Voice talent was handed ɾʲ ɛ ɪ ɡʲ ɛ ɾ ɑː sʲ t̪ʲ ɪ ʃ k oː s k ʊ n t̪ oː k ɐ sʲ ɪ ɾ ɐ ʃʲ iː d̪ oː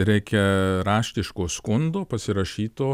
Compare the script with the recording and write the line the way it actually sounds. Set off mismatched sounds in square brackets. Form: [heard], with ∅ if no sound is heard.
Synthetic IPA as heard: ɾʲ ɛ ɪ [kʲ] ɛ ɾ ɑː [ʃʲ] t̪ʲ ɪ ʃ k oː s k ʊ n [d̪] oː [p] ɐ sʲ ɪ ɾ ɐ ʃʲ iː [t̪] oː